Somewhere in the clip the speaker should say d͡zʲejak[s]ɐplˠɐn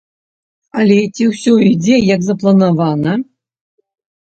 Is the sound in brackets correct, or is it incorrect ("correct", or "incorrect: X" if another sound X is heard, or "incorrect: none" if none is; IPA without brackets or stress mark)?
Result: incorrect: z